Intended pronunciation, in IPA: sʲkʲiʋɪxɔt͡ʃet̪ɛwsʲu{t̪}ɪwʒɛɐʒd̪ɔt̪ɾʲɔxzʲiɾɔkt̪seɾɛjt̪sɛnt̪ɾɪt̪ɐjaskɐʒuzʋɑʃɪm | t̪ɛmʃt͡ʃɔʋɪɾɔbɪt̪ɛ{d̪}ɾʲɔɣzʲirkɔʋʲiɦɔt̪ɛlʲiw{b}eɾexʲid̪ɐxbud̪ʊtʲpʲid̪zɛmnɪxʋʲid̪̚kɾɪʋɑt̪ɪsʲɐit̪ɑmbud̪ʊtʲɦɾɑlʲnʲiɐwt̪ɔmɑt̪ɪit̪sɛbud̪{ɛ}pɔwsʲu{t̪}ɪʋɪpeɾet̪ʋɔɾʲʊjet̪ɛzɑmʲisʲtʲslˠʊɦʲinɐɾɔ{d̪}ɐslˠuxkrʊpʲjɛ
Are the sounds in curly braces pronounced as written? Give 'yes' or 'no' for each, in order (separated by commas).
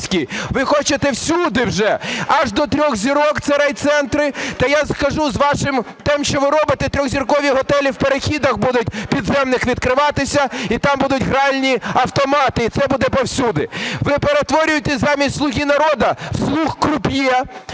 no, no, no, yes, no, yes